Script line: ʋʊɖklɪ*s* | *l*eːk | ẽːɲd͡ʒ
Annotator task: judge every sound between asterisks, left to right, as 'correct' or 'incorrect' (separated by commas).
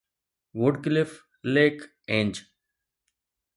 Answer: incorrect, correct